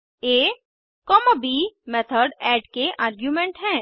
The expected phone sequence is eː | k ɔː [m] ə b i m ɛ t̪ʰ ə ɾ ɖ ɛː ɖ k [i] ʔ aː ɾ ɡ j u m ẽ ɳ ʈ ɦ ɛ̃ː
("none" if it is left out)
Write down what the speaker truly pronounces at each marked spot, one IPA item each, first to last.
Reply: m, e

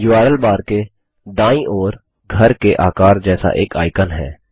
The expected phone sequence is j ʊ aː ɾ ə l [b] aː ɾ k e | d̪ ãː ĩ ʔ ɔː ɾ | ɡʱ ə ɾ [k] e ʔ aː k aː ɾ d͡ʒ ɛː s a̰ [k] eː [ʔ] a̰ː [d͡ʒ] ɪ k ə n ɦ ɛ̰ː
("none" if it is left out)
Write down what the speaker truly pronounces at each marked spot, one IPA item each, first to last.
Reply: b, k, ʔ, k, none

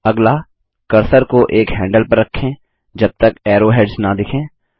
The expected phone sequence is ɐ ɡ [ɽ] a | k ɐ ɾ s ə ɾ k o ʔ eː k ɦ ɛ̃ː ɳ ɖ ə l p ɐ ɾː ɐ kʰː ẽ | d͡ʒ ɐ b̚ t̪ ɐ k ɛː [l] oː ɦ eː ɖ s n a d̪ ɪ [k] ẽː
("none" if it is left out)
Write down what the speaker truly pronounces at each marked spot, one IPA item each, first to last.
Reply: l, ɾ, kʰ

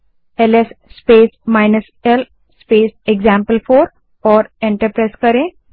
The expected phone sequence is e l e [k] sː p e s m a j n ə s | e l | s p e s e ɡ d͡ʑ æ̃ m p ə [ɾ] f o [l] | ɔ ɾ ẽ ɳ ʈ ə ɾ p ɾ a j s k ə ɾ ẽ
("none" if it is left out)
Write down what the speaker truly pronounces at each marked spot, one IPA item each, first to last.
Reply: none, l, ɾ

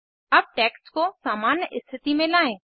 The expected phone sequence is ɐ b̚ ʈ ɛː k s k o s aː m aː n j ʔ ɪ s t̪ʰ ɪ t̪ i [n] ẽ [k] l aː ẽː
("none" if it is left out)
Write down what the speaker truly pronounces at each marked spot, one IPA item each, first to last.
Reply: m, none

